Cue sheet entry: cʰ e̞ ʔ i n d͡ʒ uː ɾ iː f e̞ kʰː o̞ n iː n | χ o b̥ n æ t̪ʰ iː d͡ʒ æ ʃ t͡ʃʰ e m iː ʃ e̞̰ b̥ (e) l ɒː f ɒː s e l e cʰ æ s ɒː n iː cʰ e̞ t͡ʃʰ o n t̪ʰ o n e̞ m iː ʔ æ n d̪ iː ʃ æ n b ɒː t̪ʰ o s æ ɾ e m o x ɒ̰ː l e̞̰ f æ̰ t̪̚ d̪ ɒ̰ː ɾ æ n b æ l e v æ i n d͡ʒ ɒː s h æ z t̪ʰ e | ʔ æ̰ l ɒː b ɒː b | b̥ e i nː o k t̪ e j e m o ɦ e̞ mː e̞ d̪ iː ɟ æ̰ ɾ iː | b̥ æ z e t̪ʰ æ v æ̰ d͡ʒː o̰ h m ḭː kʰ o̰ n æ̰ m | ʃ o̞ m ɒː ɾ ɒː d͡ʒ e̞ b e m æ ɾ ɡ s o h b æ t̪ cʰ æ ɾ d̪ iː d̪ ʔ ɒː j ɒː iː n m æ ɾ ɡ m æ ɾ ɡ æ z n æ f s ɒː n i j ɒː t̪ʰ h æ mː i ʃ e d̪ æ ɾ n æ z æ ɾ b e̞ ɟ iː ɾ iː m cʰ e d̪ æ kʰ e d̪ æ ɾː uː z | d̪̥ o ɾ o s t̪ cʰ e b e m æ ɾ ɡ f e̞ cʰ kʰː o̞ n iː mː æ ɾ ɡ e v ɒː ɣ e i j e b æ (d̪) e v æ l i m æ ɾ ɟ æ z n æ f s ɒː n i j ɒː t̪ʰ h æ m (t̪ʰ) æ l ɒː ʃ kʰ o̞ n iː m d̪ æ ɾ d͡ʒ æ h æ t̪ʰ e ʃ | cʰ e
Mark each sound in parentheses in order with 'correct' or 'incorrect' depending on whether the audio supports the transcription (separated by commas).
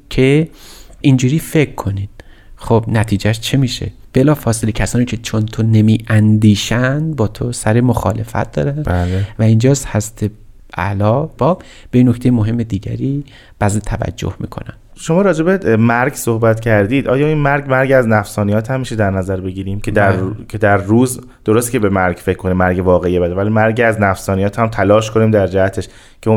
correct, correct, correct